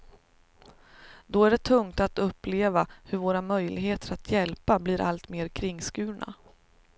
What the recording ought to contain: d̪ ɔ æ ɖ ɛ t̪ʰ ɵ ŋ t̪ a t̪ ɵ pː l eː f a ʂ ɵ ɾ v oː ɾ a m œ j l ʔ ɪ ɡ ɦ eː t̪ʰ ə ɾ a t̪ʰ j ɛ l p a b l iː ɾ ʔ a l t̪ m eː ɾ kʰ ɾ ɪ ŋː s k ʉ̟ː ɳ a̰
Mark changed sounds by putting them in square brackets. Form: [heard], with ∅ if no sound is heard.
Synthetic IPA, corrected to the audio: d̪ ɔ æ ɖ ɛ t̪ʰ ɵ ŋ t̪ a t̪ ɵ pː l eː [v] a [h] ɵ ɾ v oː ɾ a m œ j l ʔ ɪ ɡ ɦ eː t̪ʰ ə ɾ a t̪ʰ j ɛ l p a b l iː ɾ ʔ a l t̪ m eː ɾ kʰ ɾ ɪ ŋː s k ʉ̟ː ɳ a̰